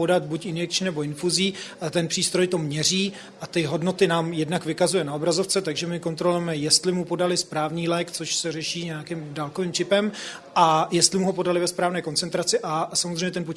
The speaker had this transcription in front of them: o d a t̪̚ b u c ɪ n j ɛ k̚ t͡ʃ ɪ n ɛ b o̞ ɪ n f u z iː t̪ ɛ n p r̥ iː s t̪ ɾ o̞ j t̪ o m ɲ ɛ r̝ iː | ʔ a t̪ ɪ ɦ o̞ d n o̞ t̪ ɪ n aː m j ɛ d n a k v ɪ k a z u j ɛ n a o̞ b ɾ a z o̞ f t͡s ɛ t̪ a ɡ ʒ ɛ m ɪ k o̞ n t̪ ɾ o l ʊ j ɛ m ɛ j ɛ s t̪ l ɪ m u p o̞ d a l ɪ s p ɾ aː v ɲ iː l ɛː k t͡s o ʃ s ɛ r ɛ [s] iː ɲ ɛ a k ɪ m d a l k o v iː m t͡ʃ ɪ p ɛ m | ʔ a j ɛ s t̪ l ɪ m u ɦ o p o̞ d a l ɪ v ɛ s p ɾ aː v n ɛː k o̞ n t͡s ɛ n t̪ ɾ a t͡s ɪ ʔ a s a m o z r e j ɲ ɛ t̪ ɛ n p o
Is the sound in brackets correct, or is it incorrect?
incorrect